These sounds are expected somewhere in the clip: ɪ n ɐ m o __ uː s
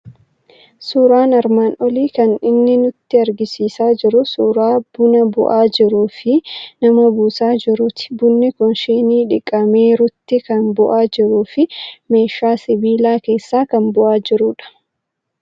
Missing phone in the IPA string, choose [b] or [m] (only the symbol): b